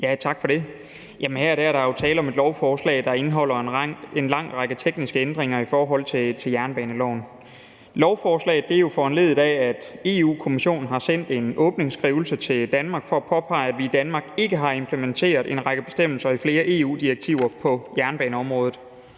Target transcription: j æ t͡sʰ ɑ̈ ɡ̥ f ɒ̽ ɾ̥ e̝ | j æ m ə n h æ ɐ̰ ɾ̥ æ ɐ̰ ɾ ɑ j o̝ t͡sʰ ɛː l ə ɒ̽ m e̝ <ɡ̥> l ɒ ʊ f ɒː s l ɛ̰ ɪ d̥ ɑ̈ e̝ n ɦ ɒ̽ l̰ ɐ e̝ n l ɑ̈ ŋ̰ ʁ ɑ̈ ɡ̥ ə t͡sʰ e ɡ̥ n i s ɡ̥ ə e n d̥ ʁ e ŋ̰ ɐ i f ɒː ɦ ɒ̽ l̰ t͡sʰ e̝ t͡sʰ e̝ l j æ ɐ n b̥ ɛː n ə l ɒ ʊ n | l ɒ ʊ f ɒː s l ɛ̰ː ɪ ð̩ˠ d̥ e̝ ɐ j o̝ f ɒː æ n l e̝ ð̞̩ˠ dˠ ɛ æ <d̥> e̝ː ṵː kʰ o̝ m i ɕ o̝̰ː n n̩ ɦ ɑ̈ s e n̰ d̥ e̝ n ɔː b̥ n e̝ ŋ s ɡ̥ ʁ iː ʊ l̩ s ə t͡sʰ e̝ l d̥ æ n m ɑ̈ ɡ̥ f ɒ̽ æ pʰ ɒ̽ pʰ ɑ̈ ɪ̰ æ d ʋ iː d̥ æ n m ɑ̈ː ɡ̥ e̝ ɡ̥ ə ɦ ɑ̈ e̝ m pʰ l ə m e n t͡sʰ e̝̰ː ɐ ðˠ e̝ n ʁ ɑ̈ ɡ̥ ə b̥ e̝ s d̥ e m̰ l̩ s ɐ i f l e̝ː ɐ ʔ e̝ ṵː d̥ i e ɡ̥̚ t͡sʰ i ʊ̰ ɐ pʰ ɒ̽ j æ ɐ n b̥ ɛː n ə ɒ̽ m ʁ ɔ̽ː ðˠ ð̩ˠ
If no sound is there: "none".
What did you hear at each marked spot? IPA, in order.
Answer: d̥, d̥

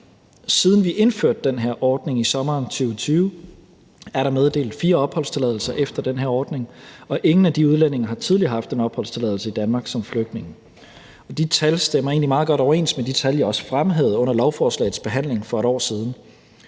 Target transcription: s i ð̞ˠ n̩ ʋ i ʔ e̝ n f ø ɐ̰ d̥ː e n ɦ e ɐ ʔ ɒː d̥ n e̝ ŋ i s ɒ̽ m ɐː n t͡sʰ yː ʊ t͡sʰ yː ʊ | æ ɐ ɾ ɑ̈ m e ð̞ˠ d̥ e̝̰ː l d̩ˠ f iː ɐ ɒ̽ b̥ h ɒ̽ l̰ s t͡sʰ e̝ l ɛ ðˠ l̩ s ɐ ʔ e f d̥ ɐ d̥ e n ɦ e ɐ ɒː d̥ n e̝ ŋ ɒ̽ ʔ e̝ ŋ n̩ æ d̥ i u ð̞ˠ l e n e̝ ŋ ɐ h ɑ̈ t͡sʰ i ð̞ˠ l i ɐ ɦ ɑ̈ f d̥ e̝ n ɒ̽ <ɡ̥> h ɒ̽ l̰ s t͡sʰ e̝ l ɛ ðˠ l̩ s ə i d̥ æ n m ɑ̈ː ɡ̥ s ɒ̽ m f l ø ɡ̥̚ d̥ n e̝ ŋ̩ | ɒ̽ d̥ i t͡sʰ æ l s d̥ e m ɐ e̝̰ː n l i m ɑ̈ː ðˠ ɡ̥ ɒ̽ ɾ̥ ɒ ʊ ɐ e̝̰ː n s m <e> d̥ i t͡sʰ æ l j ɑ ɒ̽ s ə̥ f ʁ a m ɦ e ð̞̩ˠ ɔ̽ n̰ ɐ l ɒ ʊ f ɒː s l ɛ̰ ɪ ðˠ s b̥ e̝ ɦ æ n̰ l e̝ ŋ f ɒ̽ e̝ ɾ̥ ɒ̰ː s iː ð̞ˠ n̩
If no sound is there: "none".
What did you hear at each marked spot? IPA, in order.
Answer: b̥, e

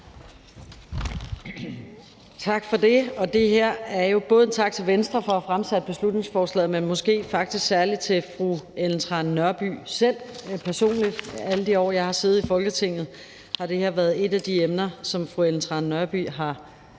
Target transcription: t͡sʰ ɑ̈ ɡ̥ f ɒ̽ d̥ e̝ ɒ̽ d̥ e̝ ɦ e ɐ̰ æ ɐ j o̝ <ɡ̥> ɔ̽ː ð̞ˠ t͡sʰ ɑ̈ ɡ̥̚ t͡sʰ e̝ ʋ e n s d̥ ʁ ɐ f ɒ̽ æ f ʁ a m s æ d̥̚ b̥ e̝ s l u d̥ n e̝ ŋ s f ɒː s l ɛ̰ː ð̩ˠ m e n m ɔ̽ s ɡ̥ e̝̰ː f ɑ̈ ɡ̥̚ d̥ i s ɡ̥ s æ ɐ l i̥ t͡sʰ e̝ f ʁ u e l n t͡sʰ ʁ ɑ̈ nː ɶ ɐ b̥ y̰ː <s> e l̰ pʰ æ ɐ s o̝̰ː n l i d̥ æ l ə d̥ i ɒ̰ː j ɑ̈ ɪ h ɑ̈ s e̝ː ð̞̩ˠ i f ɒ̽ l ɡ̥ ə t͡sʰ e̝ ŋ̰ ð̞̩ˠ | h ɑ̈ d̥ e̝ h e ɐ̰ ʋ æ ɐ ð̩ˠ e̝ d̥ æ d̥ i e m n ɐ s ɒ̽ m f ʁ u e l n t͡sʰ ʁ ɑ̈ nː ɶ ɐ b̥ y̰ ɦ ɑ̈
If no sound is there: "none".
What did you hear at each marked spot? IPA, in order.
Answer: b̥, s

